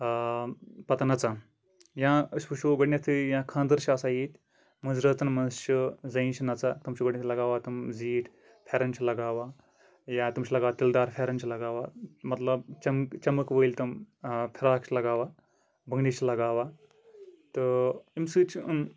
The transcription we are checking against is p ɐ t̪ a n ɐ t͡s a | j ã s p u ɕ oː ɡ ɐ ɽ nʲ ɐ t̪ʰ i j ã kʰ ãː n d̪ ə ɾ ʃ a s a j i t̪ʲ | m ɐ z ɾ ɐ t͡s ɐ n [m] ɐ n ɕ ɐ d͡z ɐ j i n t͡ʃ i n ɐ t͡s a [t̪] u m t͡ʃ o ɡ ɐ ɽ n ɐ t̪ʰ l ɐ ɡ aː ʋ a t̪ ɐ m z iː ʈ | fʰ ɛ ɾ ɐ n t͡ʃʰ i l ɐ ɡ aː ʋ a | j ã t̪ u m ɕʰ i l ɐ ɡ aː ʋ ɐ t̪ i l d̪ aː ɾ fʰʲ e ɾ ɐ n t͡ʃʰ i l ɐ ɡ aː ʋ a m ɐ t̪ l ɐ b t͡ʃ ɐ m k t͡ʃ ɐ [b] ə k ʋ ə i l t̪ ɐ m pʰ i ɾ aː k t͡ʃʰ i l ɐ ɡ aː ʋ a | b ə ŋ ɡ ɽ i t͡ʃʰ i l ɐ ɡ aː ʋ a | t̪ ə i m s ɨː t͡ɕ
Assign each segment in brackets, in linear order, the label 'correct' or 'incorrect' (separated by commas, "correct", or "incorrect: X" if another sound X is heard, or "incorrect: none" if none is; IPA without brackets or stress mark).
correct, correct, incorrect: m